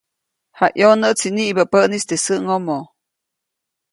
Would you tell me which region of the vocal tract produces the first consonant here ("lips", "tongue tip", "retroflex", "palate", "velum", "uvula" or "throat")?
throat